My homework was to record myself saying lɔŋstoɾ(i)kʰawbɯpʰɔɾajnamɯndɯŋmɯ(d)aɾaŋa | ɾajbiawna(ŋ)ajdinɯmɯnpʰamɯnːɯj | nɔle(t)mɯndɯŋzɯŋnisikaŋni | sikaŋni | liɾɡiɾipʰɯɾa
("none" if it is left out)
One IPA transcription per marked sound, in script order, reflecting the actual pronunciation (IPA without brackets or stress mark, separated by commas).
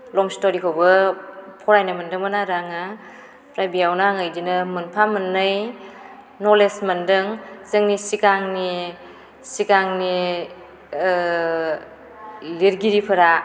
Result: i, n, ŋ, s